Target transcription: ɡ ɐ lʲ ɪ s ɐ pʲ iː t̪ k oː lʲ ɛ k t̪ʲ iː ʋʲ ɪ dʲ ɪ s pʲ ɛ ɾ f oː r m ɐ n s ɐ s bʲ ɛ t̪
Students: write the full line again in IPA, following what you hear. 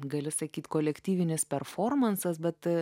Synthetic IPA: ɡ ɐ lʲ ɪ s ɐ kʲ iː t̪ k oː lʲ ɛ k t̪ʲ iː ʋʲ ɪ nʲ ɪ s pʲ ɛ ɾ f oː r m ɐ n s ɐ s bʲ ɛ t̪